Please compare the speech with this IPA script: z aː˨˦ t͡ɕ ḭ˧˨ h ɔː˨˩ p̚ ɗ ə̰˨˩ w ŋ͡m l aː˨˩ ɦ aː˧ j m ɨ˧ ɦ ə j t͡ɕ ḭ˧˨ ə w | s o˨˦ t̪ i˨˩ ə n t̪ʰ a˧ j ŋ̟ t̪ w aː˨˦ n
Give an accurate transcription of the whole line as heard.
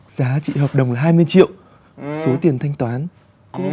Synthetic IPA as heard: z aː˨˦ t͡ɕ ḭ˧˨ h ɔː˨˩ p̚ ɗ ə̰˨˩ w ŋ͡m l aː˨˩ ɦ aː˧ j m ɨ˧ ə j t͡ɕ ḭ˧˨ ə w | s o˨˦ t̪ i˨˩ ə n t̪ʰ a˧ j ŋ̟ t̪ w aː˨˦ n